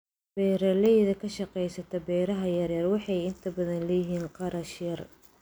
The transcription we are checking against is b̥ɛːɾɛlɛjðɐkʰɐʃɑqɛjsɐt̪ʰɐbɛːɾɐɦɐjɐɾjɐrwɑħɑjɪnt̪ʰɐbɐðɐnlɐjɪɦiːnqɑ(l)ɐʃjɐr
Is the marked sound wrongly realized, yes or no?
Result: yes